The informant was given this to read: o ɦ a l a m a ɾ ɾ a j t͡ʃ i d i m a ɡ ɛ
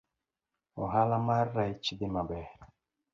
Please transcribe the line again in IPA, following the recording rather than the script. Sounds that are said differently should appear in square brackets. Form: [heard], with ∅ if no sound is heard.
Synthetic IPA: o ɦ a l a m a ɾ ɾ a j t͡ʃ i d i m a [b] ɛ